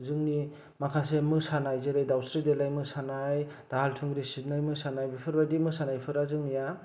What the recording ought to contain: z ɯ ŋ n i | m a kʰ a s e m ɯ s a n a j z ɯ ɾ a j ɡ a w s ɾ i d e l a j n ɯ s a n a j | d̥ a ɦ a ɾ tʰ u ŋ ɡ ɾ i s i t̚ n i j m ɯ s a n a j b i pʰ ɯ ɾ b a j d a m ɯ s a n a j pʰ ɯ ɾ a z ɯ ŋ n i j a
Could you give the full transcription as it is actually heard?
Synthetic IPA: z ɯ ŋ n i | m a kʰ a s e m ɯ s a n a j z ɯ ɾ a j d a w s ɾ i d e l a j m ɯ s a n a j | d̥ a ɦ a l tʰ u ŋ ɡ ɾ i s i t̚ n a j m ɯ s a n a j b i pʰ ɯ ɾ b a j d i m ɯ s a n a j pʰ ɯ ɾ a z ɯ ŋ n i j a